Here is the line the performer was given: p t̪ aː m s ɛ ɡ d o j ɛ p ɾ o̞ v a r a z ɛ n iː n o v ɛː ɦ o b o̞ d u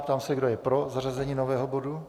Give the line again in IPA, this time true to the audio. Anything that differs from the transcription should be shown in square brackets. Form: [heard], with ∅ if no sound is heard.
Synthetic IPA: p t̪ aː m s ɛ ɡ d o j ɛ p ɾ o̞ [z] a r a z ɛ [ɲ] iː n o v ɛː ɦ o b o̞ d u